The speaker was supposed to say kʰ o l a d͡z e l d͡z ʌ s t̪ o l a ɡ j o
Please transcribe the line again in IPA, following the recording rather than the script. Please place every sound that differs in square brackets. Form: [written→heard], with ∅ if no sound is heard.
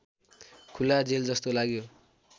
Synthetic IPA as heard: kʰ [o→u] l a d͡z e l d͡z ʌ s t̪ o l a ɡ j o

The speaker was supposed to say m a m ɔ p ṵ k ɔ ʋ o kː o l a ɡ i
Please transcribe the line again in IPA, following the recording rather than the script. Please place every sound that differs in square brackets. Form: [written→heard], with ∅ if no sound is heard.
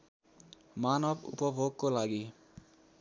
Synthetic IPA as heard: m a [m→n] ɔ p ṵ [k→p] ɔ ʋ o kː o l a ɡ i

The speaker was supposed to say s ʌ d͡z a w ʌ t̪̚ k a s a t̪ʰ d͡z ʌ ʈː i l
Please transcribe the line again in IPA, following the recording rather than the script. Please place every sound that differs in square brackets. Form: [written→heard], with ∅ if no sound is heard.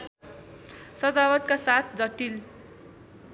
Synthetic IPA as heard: s ʌ d͡z a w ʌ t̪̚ k a s a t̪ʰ d͡z ʌ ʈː i l

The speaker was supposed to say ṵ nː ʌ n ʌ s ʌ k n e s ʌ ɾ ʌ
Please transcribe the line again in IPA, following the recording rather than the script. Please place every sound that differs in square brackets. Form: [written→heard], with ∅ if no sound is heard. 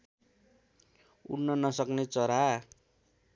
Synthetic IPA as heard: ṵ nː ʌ n ʌ s ʌ k n e [s→t͡s] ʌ ɾ [ʌ→a]

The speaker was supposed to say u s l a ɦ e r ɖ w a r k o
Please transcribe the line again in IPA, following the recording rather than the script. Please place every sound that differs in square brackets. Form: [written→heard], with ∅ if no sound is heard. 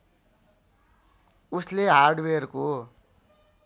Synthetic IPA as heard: u s l [a→e] ɦ [e→a] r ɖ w [a→e] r k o

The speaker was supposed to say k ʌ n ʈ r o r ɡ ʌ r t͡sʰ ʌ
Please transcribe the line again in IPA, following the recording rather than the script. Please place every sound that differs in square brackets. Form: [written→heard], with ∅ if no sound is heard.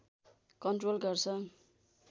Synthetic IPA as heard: k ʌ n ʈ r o [r→l] ɡ ʌ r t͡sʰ ʌ

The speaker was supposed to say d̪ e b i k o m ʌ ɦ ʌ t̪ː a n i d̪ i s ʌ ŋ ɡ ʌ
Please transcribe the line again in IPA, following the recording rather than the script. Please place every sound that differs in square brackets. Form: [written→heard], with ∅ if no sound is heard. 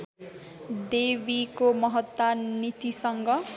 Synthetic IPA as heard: d̪ e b i k o m ʌ ɦ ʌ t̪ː a n i [d̪→t̪] i s ʌ ŋ ɡ ʌ

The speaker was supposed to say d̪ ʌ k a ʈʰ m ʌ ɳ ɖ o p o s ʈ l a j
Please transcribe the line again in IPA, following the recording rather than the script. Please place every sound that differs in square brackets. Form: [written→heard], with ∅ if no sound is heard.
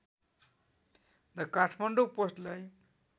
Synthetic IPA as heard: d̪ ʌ k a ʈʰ m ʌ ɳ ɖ o p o s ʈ l a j

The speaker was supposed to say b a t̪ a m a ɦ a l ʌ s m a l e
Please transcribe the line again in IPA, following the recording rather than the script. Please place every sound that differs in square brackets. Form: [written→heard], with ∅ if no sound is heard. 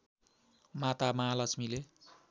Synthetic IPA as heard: [b→m] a t̪ a m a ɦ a l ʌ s m [a→i] l e

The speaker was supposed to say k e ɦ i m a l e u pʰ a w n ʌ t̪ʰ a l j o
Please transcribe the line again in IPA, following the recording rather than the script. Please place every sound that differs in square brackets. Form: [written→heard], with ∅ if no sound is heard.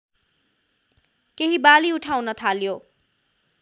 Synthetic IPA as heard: k e ɦ i [m→b] a l [e→i] u [pʰ→ʈʰ] a w n ʌ t̪ʰ a l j o

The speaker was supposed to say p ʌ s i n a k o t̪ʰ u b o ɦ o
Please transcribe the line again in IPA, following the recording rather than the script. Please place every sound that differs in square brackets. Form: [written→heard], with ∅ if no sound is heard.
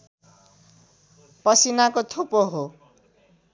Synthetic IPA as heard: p ʌ s i n a k o t̪ʰ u [b→p] o ɦ o

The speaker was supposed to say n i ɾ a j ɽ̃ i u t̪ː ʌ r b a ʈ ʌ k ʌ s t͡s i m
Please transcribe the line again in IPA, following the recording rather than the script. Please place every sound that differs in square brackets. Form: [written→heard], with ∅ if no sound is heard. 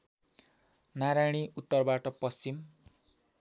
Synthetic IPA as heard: n [i→a] ɾ a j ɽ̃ i u t̪ː ʌ r b a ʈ ʌ [k→p] ʌ s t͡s i m

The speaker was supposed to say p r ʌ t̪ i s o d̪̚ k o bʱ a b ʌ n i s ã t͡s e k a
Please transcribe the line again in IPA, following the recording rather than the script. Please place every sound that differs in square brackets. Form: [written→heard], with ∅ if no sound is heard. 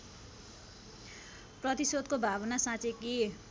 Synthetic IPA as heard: p r ʌ t̪ i s o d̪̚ k o bʱ a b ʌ n [i→a] s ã t͡s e k [a→i]

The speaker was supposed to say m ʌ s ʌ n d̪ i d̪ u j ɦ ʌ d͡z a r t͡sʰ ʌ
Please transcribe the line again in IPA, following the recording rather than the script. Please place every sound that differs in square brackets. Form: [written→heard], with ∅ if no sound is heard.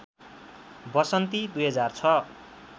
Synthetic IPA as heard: [m→b] ʌ s ʌ n [d̪→t̪] i d̪ u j ɦ ʌ d͡z a r t͡sʰ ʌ

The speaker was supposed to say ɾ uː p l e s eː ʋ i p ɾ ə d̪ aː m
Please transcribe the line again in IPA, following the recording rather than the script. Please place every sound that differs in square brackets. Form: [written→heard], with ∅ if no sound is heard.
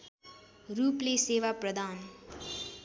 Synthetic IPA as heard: ɾ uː p l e s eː ʋ [i→a] p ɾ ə d̪ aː [m→n]

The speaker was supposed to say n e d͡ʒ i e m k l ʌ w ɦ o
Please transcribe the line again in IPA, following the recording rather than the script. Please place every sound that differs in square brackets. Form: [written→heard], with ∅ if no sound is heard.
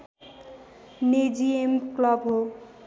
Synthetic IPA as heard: n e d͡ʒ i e m k l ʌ [w→b] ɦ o

